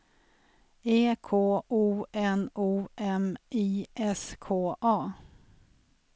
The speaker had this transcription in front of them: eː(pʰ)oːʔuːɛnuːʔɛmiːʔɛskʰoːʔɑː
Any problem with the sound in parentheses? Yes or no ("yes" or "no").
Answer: yes